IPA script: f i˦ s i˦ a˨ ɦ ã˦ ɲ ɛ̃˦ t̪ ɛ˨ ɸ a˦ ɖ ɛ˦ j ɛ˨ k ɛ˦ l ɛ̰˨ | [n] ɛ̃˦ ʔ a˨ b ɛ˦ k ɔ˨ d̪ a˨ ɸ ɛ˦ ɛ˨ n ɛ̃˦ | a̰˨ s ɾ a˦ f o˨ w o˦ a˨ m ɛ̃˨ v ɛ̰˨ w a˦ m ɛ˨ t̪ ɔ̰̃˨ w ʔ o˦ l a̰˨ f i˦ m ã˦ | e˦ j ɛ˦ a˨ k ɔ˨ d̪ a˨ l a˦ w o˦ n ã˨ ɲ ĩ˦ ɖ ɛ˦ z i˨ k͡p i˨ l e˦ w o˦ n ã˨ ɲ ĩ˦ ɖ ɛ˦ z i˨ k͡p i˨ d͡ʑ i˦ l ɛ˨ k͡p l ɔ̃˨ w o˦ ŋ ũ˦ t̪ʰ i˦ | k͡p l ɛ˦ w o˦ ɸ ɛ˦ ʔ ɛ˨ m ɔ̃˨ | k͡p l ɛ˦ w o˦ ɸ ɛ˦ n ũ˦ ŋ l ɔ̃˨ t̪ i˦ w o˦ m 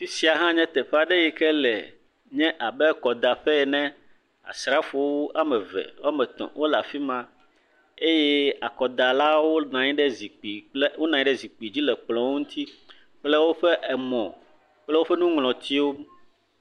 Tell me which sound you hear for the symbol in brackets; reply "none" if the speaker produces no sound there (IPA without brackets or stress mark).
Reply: ɲ